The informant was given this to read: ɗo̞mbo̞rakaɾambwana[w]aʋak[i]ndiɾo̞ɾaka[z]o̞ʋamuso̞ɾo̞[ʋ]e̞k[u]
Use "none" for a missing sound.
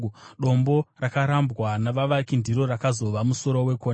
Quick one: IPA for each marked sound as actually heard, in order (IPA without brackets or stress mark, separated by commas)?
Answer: ʋ, i, z, w, o